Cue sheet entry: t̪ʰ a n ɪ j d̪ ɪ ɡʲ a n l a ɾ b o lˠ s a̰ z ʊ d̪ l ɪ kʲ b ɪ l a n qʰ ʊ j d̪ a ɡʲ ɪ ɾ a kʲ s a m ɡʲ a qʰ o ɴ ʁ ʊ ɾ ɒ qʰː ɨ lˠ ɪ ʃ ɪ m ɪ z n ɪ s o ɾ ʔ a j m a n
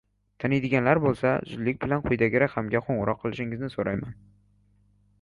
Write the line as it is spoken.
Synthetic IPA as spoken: t̪ʰ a n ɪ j d̪ ɪ ɡʲ a n l a ɾ b o lˠ s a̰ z ʊ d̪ l ɪ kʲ b ɪ l a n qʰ ʊ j d̪ a ɡʲ ɪ ɾ a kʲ h a m ɡʲ a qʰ o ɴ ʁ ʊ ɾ ɒ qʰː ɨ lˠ ɪ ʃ ɪ ŋ ɪ z n ɪ s o ɾ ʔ a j m a n

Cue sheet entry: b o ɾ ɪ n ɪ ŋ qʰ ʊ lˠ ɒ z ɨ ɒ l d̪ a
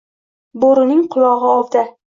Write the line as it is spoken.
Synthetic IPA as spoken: b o ɾ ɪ n ɪ ŋ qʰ ʊ lˠ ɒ ʁ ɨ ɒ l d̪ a

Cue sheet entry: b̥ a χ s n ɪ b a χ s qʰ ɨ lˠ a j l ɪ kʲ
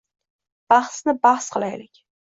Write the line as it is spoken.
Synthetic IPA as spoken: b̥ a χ s n ɪ b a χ s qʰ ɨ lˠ a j l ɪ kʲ

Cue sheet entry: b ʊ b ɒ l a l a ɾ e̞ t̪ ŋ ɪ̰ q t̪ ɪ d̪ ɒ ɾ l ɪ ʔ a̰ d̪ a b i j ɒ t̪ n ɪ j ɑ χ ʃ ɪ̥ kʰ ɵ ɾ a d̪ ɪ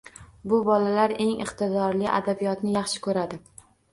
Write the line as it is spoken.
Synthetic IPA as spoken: b ʊ b ɒ l a l a ɾ e̞ ŋ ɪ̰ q t̪ ɪ d̪ ɒ ɾ l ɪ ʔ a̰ d̪ a b i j ɒ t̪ n ɪ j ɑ χ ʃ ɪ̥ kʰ ɵ ɾ a d̪ ɪ

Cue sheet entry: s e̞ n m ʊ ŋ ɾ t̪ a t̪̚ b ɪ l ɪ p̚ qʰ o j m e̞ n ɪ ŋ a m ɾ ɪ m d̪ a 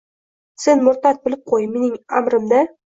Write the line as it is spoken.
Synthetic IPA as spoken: s e̞ n m ʊ ɾ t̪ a t̪̚ b ɪ l ɪ p̚ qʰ o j m e̞ n ɪ ŋ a m ɾ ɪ m d̪ a

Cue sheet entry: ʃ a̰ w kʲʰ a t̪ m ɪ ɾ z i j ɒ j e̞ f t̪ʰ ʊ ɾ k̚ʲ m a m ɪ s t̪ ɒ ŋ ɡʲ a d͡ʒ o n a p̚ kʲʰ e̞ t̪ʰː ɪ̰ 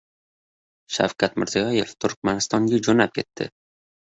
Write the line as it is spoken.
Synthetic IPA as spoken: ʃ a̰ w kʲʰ a t̪ m ɪ ɾ z i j ɒ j e̞ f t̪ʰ ʊ ɾ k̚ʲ m a n ɪ s t̪ ɒ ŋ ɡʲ a d͡ʒ o n a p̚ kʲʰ e̞ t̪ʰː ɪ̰

